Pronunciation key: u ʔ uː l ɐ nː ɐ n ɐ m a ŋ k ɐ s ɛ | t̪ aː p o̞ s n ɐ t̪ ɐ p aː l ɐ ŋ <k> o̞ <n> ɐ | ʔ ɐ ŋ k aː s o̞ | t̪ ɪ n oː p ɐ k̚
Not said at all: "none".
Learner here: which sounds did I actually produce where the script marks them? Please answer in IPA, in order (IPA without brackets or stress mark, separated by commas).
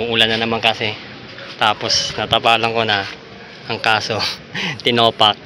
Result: k, n